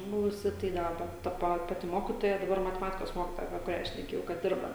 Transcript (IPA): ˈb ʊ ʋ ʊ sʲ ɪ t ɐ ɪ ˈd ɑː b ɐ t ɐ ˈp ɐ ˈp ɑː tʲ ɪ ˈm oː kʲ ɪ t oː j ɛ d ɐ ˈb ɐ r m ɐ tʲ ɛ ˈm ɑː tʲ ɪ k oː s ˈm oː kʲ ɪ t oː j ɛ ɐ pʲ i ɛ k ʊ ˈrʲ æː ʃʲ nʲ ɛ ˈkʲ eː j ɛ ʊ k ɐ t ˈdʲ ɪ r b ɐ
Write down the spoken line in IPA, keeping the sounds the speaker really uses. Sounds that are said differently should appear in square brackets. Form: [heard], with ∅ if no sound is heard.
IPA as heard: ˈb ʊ ʋ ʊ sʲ ɪ t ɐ ɪ ˈd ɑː b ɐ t ɐ ˈp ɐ ˈp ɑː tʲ ɪ ˈm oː kʲ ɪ t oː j ɛ d ɐ ˈb ɐ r m ɐ tʲ ɛ ˈm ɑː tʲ ɪ k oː s ˈm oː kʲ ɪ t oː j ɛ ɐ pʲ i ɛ k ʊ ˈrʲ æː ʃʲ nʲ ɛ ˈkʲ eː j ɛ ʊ k ɐ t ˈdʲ ɪ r b ɐ